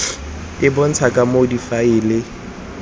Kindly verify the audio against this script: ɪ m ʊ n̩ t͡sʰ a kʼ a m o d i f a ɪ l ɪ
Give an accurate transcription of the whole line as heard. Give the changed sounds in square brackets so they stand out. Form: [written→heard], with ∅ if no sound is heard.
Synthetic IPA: ɪ [m→b] ʊ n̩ t͡sʰ a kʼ a m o d i f a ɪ l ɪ